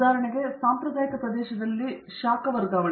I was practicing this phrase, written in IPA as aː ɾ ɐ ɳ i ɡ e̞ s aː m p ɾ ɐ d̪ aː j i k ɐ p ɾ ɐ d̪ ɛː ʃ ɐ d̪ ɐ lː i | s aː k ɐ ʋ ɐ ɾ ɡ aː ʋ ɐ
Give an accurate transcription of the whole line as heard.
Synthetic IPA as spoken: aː ɾ ɐ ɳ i ɡ e̞ s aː m p ɾ ɐ d̪ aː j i k ɐ p ɾ ɐ d̪ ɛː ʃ ɐ d̪ ɐ lː i | ʃ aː k ɐ ʋ ɐ ɾ ɡ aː ʋ ɐ